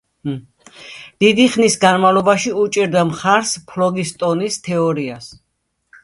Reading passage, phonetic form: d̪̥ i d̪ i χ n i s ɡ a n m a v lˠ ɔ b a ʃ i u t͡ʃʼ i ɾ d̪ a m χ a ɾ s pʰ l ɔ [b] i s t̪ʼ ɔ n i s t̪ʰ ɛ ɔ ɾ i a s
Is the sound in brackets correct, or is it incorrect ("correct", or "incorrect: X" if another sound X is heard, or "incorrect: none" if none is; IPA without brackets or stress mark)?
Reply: incorrect: ɡ